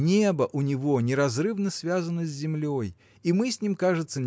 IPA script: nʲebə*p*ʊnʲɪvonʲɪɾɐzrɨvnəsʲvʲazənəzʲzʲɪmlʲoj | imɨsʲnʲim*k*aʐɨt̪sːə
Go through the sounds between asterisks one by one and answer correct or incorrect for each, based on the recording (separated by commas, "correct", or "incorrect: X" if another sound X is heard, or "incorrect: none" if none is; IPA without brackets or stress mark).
incorrect: ʔ, correct